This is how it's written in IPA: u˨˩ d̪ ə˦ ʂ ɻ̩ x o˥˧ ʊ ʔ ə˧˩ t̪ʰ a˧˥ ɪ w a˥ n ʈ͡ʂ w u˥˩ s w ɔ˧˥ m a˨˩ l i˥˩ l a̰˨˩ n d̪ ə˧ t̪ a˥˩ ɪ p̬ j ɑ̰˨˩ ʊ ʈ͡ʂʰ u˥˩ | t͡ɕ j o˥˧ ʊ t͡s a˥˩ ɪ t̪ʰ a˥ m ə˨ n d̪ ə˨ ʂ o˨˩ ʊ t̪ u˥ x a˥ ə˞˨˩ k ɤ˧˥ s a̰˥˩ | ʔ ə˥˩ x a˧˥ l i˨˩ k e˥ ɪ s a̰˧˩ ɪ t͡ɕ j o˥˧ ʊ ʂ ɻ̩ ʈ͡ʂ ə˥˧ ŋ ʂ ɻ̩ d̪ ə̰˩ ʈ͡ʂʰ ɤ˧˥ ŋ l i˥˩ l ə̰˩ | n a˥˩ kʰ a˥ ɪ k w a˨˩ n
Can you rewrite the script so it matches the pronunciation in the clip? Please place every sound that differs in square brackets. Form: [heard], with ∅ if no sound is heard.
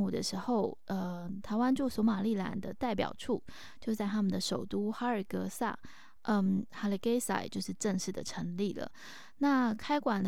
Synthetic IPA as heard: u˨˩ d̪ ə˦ ʂ ɻ̩ x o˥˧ ʊ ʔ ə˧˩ t̪ʰ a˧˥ ɪ w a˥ n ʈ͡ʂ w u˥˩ s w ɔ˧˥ m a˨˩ l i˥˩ l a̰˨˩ n d̪ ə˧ t̪ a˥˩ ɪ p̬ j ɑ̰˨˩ ʊ ʈ͡ʂʰ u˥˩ | t͡ɕ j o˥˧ ʊ t͡s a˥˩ ɪ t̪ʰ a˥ m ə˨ n d̪ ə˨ ʂ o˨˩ ʊ t̪ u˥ x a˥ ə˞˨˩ k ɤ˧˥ s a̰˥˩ | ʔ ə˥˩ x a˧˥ l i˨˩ k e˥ ɪ s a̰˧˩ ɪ t͡ɕ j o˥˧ ʊ ʂ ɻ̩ ʈ͡ʂ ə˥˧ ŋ ʂ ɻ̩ d̪ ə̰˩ ʈ͡ʂʰ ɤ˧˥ ŋ l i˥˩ l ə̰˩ | n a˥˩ kʰ a˥ ɪ k w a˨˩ n